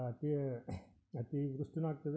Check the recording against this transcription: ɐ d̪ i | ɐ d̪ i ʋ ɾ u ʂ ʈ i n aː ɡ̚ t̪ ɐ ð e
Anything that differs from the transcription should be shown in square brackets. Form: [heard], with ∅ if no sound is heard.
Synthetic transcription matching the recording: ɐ [t̪] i | ɐ [t̪] i ʋ ɾ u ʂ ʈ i n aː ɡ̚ t̪ ɐ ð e